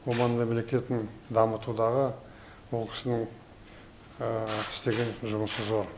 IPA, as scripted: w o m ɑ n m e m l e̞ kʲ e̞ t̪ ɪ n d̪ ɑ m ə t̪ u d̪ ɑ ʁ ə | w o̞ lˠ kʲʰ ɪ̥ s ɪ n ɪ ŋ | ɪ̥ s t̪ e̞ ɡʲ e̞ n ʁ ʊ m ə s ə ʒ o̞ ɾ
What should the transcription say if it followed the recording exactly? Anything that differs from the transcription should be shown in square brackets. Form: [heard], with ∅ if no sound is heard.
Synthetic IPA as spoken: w o m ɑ n m e m l e̞ kʲ e̞ t̪ ɪ n d̪ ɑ m ə t̪ u d̪ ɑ ʁ ə | w o̞ lˠ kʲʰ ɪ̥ s ɪ n ɪ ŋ | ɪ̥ s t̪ e̞ ɡʲ e̞ n [ʒ] ʊ m ə s ə [z] o̞ ɾ

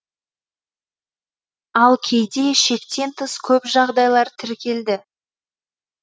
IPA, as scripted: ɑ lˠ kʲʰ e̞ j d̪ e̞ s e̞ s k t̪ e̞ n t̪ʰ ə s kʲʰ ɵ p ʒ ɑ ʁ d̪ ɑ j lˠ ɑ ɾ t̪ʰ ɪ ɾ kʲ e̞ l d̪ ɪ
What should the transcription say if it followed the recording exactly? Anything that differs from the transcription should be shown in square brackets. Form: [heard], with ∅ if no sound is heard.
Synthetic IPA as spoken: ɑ lˠ kʲʰ e̞ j d̪ e̞ [ʃ] e̞ [∅] k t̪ e̞ n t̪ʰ ə s kʲʰ ɵ p ʒ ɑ ʁ d̪ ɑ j lˠ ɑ ɾ t̪ʰ ɪ ɾ kʲ e̞ l d̪ ɪ

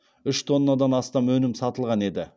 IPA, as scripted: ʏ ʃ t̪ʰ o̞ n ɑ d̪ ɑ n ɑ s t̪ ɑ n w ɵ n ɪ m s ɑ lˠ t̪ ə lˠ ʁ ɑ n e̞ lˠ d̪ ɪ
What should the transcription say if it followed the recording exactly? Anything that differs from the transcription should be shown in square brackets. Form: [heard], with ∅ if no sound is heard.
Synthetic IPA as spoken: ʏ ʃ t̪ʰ o̞ [nː] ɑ d̪ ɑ n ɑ s t̪ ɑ [m] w ɵ n ɪ m s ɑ [∅] t̪ ə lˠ ʁ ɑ n e̞ [∅] d̪ ɪ

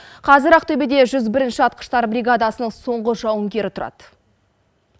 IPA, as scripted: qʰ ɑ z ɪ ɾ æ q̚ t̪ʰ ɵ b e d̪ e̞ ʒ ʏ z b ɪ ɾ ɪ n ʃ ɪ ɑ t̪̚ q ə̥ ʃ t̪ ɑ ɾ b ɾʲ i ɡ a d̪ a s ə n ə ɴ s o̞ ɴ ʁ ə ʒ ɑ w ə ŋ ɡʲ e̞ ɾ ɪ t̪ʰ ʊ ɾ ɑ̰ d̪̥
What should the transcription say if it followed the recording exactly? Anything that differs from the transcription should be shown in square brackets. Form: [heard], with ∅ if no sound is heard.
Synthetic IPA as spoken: qʰ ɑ z ɪ ɾ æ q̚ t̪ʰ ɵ b e d̪ e̞ ʒ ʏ z b ɪ ɾ ɪ n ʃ ɪ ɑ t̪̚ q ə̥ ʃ t̪ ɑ ɾ b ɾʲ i ɡ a d̪ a s ə n ə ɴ s o̞ ɴ ʁ ə ʒ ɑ w ə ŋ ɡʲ e̞ ɾ ɪ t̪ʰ ʊ ɾ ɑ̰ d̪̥

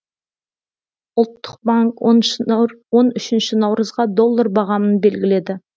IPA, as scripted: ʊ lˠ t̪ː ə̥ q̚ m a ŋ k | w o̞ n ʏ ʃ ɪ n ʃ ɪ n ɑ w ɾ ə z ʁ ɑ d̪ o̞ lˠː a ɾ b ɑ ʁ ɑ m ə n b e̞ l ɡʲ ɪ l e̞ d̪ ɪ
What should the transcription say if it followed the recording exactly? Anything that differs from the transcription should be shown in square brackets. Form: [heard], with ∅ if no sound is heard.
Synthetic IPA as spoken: ʊ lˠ t̪ː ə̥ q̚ [b] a ŋ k | w o̞ n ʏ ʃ ɪ n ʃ ɪ n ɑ w ɾ ə z ʁ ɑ d̪ o̞ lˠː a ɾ b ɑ ʁ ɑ m ə n b e̞ l ɡʲ ɪ l e̞ d̪ ɪ

